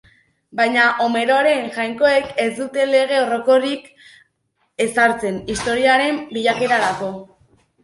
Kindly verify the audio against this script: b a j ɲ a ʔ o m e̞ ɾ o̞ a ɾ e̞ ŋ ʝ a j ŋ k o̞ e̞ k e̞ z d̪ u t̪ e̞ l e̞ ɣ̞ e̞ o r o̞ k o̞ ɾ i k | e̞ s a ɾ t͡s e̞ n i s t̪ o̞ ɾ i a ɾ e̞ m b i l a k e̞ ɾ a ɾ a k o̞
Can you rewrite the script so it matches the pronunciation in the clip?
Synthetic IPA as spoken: b a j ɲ a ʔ o m e̞ ɾ o̞ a ɾ e̞ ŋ ʝ a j ŋ k o̞ e̞ k e̞ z d̪ u t̪ e̞ l e̞ ɣ̞ e̞ o r o̞ k o̞ ɾ i k | e̞ s a ɾ t͡s e̞ n i s t̪ o̞ ɾ i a ɾ e̞ m b i ʎ a k e̞ ɾ a ɾ a k o̞